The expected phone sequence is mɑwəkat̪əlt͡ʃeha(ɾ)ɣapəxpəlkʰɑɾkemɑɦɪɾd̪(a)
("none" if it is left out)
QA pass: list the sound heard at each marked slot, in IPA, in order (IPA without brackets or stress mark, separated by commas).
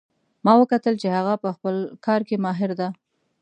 none, a